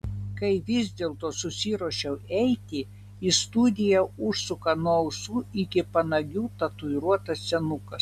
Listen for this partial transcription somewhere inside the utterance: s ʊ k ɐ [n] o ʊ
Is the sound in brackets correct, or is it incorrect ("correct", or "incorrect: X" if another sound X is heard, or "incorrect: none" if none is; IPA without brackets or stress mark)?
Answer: correct